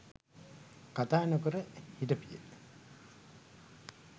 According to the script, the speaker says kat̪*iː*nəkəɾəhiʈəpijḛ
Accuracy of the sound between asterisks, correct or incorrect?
incorrect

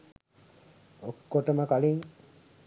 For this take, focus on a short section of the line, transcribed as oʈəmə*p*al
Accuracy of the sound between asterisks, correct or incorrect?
incorrect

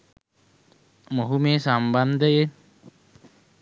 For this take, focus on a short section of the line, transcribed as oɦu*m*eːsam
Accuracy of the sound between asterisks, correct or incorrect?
correct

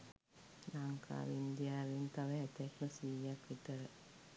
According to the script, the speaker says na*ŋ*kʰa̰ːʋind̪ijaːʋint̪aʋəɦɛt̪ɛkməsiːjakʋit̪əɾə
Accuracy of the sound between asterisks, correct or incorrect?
correct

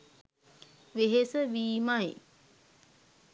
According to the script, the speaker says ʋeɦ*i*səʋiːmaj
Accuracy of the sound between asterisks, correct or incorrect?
incorrect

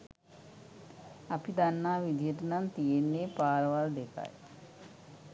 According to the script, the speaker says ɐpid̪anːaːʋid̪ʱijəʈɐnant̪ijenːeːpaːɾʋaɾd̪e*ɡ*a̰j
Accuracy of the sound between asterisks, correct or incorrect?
incorrect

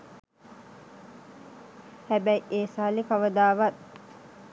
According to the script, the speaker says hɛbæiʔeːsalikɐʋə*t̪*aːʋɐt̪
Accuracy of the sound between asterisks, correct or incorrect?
incorrect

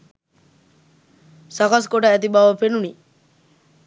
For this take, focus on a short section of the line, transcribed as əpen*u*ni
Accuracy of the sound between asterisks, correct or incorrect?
correct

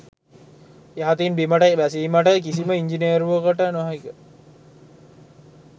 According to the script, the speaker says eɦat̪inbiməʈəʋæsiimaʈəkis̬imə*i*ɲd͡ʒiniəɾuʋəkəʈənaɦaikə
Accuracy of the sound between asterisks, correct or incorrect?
correct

